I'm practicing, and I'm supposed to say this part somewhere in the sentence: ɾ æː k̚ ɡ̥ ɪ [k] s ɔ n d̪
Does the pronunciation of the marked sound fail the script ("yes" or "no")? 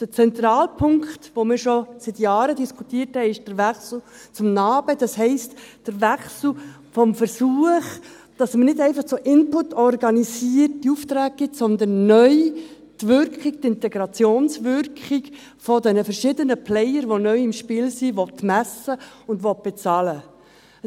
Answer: yes